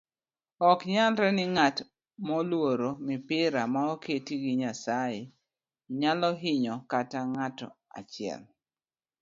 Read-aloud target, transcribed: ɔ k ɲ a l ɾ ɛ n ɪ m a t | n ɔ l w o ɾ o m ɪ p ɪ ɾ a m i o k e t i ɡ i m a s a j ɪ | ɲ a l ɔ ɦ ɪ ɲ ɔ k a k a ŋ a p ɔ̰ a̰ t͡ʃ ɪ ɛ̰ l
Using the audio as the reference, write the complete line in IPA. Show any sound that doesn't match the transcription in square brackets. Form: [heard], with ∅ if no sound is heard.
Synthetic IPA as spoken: ɔ k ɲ a l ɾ ɛ n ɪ [ŋ] a t | [m] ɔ l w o ɾ o m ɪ p ɪ ɾ a m [a] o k e t i ɡ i [ɲ] a s a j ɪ | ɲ a l ɔ ɦ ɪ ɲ ɔ k a [t] a ŋ a [t] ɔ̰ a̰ t͡ʃ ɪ ɛ̰ l